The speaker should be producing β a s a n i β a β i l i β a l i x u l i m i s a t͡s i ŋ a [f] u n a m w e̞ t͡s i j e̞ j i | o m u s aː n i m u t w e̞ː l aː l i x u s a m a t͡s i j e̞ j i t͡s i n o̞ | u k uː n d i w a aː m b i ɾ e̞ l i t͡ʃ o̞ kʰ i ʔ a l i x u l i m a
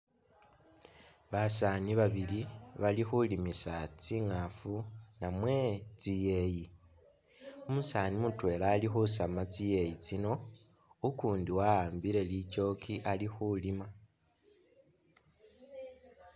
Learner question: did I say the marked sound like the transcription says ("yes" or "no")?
yes